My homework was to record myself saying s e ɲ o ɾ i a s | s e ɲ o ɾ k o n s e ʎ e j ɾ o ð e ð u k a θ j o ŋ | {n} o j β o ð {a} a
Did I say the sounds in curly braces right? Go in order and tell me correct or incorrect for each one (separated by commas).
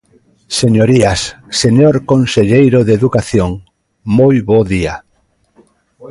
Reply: incorrect, incorrect